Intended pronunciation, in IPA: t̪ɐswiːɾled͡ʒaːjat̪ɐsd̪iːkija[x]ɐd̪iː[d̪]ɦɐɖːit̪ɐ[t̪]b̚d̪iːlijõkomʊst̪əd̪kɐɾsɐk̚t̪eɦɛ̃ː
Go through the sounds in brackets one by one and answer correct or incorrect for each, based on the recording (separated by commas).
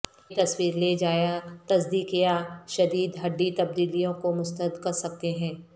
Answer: incorrect, correct, incorrect